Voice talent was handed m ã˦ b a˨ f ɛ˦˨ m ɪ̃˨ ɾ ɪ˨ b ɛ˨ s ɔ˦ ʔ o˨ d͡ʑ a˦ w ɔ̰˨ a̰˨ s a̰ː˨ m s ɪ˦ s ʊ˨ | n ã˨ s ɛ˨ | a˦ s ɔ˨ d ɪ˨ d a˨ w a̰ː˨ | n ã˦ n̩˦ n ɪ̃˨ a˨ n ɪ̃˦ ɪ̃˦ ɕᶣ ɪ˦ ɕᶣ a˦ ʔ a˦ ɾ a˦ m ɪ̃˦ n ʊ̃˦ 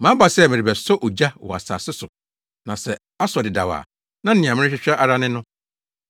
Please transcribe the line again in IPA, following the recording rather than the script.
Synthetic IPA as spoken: m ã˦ b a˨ s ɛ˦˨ m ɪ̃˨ ɾ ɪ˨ b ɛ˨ s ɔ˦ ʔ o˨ d͡ʑ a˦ w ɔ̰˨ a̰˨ s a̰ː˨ s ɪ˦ s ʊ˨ | n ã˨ s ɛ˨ | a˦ s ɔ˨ d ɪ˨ d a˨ w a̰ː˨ | n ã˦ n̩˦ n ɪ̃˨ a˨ m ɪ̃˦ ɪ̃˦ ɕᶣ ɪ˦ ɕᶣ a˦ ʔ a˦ ɾ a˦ n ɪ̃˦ n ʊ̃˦

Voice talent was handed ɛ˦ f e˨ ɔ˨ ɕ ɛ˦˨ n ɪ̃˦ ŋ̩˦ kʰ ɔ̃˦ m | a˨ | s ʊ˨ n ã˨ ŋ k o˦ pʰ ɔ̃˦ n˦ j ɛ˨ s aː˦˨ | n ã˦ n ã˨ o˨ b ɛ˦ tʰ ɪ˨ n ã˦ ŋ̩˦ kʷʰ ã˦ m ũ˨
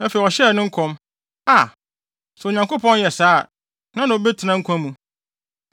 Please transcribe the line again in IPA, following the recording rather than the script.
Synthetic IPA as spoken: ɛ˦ f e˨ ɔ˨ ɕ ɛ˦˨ n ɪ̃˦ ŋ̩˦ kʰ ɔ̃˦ m | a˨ | s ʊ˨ ɲ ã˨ ŋ k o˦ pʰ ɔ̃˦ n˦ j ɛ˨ s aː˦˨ | n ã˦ n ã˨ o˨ b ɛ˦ tʰ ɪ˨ n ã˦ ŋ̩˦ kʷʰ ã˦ m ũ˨

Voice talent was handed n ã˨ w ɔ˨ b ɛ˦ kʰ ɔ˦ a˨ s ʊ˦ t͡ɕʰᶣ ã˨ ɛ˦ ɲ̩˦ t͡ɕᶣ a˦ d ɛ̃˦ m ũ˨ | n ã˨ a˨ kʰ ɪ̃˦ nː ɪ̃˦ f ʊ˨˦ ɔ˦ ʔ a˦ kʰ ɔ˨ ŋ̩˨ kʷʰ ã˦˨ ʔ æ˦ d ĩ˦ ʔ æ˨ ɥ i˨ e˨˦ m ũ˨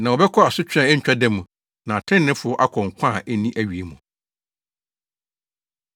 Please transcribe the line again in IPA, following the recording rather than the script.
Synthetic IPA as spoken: n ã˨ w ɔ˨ b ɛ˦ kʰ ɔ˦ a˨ s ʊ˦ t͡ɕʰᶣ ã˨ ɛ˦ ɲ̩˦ t͡ɕᶣ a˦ d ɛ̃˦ m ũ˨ | n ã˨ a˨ tʰ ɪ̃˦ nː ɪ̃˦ f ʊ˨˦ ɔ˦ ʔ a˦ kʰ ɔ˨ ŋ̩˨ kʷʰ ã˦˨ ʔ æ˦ n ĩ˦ ʔ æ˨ ɥ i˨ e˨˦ m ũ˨

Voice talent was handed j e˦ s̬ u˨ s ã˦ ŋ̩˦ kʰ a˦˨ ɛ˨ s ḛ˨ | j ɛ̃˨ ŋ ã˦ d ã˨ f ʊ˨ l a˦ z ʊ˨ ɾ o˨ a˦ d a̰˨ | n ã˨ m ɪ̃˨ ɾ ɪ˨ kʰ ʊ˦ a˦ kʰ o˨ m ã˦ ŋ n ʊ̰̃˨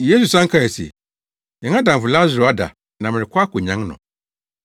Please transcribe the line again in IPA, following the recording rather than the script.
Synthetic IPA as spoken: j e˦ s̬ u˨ s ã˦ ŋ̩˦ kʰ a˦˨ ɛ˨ s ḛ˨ | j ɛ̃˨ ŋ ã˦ d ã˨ f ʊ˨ l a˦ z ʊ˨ ɾ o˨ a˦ d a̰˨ | n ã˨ m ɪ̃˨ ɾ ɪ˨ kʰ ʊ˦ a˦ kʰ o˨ ɲ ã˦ ŋ n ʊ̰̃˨

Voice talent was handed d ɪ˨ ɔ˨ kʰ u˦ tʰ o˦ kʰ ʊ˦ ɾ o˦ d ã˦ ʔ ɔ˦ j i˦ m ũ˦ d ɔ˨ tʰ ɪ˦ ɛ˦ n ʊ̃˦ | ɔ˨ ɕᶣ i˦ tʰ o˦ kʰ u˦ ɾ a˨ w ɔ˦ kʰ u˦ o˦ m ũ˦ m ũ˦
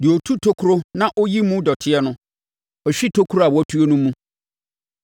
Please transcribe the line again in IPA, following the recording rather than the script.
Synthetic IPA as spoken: d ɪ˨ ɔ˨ tʰ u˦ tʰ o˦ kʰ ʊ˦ ɾ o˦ n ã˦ ʔ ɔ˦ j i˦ m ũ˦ d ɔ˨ tʰ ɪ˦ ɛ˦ n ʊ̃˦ | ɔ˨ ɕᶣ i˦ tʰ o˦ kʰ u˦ ɾ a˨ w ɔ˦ tʰ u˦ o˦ n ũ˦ m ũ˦

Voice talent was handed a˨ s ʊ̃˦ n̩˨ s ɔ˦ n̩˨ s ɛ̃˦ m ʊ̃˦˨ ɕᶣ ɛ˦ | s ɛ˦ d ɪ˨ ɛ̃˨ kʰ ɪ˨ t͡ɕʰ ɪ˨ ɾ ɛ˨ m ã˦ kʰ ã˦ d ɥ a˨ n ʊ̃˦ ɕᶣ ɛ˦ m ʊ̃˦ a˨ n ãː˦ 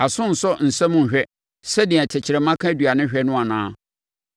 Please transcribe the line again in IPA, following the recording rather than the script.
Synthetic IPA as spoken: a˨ s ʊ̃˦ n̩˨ s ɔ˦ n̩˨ s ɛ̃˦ m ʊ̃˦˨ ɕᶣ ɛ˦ | s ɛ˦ d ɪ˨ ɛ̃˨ tʰ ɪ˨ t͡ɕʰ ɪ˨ ɾ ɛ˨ m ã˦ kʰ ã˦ d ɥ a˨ n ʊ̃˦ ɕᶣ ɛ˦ n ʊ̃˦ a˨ n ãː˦

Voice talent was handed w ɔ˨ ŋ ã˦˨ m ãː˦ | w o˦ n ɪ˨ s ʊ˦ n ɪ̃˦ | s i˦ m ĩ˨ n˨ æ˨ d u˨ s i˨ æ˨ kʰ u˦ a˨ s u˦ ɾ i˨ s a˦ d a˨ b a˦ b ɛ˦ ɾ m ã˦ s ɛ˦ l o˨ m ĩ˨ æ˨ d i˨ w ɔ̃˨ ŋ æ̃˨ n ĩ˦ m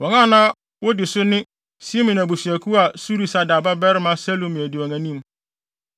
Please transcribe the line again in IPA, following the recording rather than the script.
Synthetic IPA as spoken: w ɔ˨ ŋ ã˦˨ n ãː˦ | w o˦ d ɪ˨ s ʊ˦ n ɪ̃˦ | s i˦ m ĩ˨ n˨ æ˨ b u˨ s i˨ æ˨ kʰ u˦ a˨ s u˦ ɾ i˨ s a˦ d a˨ b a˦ b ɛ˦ ɾ m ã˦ s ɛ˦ l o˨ m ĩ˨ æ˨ d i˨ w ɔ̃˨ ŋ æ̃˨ n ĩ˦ m

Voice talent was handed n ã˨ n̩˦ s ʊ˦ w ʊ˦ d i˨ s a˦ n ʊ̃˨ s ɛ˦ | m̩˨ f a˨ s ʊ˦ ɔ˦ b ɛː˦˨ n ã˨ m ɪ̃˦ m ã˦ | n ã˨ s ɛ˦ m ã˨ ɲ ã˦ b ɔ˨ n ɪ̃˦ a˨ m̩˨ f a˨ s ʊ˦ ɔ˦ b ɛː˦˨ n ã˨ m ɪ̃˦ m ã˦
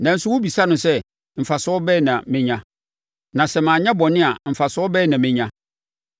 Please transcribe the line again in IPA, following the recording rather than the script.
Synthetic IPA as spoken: n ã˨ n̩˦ s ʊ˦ w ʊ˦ b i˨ s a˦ n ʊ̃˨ s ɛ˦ | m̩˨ f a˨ s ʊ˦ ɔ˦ b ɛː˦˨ n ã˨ m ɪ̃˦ ɲ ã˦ | n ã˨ s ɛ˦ m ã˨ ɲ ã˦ b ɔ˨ n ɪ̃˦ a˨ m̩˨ f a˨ s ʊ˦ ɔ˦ b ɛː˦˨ n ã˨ m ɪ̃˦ ɲ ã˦

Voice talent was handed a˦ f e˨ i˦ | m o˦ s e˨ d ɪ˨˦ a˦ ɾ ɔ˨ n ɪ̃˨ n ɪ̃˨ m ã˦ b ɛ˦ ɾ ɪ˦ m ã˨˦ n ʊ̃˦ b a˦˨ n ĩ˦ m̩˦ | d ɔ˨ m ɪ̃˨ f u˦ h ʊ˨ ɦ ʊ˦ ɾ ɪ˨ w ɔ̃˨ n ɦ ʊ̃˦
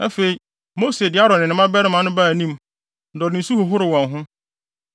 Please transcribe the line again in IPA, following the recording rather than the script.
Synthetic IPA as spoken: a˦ f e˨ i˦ | m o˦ s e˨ d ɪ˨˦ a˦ ɾ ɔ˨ n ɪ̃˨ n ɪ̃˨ m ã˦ b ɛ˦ ɾ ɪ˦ m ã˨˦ n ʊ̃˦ b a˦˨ n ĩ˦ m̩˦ | d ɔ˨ n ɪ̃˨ s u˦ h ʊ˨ ɦ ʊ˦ ɾ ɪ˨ w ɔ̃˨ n ɦ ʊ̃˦

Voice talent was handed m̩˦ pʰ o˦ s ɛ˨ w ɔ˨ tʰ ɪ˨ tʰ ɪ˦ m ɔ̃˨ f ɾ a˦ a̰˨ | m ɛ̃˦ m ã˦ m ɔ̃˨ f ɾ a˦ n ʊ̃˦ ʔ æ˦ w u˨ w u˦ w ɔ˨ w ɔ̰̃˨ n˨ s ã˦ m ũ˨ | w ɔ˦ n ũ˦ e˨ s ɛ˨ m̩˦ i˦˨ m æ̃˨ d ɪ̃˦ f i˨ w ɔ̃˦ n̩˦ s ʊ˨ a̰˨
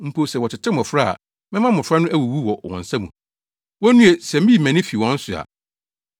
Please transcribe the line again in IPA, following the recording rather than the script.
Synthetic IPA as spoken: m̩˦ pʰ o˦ s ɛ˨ w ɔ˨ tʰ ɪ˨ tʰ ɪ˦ m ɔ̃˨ f ɾ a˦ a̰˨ | m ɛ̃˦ m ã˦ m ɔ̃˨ f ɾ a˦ n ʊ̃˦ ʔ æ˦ w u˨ w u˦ w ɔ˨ w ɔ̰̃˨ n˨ s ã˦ m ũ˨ | w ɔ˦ n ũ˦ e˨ s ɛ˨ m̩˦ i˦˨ m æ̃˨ n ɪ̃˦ f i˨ w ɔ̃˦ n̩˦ s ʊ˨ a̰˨

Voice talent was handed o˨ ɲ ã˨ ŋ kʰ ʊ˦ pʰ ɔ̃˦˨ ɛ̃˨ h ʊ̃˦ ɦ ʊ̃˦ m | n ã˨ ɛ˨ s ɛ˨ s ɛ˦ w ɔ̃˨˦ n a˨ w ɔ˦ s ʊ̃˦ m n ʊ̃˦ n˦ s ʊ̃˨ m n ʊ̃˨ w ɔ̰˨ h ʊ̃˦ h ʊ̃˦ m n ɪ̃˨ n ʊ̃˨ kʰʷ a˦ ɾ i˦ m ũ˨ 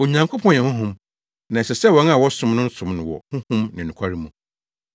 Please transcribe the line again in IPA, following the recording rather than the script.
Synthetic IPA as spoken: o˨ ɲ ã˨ ŋ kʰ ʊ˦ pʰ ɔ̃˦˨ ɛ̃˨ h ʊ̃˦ ɦ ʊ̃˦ m | n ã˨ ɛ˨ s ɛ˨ s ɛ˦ w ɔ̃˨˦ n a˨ w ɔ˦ s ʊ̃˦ m n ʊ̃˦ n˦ s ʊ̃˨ m n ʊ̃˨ w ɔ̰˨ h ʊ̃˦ h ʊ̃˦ m n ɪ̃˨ n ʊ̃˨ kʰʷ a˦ ɾ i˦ m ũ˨

